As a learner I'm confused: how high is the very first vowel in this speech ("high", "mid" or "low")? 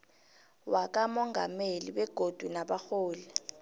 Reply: low